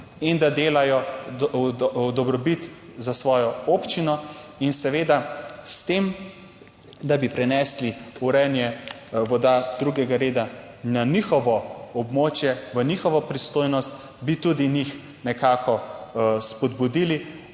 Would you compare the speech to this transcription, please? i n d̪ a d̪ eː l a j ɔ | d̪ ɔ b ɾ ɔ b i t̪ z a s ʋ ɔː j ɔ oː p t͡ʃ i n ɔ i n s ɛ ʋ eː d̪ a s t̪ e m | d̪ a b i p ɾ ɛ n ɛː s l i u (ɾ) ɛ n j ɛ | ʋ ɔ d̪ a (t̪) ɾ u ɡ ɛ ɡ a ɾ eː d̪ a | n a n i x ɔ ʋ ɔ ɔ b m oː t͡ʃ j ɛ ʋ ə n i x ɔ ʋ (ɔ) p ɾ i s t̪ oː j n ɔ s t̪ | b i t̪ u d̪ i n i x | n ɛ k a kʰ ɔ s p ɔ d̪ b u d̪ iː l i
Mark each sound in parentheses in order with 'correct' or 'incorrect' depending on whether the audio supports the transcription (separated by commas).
correct, incorrect, correct